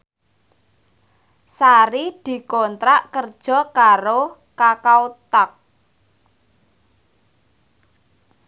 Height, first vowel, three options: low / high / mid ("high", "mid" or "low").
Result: low